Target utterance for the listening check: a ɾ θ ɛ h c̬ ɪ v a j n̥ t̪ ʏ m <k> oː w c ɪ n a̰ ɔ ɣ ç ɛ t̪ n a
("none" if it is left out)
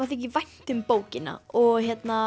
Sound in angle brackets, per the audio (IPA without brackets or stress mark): p